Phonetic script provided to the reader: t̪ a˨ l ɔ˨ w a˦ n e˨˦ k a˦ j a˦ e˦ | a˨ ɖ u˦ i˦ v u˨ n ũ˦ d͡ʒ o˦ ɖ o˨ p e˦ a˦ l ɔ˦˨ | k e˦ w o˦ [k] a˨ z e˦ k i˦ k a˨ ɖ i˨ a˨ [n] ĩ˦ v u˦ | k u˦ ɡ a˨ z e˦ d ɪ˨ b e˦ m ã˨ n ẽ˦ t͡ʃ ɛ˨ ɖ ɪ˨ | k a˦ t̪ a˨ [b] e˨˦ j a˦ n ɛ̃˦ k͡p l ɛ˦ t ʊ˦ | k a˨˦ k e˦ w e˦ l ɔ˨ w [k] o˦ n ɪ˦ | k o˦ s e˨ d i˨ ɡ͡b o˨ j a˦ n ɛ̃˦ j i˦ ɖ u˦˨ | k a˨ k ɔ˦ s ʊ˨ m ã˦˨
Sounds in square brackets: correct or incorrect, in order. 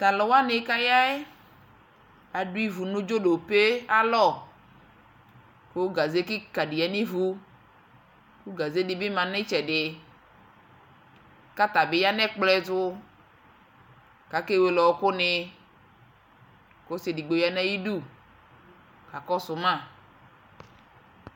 incorrect: ɡ, correct, correct, correct

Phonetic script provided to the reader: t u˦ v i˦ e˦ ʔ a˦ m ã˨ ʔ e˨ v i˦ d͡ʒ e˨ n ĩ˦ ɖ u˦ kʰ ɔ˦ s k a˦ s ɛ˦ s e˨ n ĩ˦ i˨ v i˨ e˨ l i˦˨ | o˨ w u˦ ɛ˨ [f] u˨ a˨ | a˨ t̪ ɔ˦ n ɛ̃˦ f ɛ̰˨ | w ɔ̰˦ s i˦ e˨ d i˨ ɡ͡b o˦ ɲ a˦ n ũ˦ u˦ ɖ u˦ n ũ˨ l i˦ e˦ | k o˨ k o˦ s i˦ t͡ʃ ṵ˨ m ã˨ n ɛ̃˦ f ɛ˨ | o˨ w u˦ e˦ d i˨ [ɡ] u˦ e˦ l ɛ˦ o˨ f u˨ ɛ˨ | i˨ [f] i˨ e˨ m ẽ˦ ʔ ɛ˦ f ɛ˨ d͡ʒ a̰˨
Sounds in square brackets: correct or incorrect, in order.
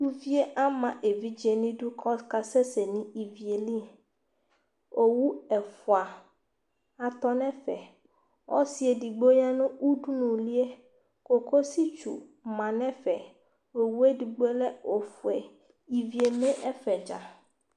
correct, incorrect: ɡ͡b, incorrect: v

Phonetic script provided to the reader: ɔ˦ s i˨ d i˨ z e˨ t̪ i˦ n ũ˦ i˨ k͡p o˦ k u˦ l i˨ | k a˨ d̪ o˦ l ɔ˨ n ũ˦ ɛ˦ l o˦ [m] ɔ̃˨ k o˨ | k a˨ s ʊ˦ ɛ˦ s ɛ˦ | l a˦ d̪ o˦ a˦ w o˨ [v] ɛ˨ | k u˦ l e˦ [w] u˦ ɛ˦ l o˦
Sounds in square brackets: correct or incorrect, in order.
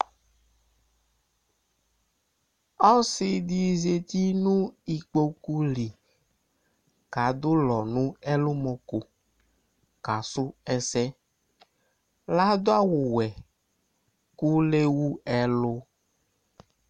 correct, incorrect: w, correct

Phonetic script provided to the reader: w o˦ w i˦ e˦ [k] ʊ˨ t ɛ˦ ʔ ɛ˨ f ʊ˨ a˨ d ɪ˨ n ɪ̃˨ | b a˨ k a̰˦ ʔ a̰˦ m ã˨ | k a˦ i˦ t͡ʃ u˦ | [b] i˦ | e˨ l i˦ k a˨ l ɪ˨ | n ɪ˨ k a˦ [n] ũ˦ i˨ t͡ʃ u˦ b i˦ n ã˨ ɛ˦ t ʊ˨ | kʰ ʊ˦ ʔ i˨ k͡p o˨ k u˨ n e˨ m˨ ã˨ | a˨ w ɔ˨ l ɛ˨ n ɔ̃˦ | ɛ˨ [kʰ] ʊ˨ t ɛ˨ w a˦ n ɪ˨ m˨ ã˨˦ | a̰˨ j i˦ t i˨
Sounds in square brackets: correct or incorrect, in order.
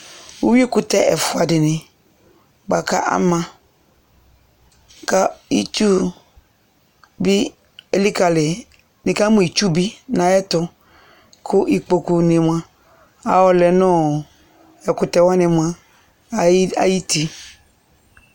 correct, correct, incorrect: m, incorrect: k

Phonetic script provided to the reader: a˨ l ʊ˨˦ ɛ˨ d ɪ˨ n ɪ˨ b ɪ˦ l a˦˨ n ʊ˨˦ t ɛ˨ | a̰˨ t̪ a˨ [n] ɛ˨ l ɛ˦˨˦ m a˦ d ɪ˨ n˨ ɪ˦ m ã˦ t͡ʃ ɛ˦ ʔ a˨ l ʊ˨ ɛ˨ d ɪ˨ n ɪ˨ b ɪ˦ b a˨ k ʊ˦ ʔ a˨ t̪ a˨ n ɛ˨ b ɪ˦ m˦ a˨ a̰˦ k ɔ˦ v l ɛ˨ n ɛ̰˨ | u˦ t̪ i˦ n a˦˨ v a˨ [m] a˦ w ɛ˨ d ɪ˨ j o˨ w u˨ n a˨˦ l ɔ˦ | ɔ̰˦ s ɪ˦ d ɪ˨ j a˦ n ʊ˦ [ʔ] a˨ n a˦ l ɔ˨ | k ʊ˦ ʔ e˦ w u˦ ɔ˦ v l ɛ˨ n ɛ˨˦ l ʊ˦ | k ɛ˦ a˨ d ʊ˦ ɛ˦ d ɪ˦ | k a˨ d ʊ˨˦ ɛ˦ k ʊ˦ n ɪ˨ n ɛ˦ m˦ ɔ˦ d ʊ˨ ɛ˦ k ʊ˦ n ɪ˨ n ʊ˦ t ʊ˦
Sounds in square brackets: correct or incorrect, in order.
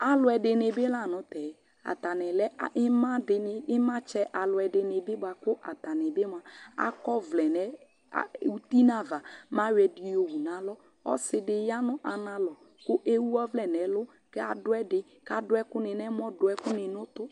correct, correct, correct

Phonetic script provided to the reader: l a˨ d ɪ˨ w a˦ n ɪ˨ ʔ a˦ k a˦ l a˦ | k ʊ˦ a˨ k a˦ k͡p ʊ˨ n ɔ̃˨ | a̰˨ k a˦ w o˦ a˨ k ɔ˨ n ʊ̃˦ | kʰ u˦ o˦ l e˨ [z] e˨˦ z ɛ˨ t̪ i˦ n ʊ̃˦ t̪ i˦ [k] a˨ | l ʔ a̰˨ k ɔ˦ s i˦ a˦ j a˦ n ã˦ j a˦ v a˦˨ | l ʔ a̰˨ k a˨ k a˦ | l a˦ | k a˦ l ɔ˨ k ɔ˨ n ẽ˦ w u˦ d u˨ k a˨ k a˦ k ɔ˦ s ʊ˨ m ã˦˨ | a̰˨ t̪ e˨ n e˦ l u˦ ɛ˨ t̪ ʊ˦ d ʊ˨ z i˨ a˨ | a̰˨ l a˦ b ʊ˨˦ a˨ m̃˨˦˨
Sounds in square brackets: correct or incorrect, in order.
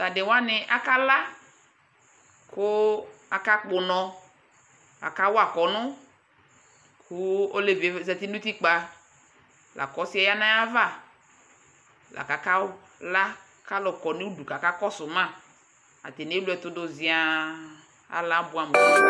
incorrect: v, incorrect: k͡p

